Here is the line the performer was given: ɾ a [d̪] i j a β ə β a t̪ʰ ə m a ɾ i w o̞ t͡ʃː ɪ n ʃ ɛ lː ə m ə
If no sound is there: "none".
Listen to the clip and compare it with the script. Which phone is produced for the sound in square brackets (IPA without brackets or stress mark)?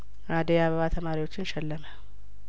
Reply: d̪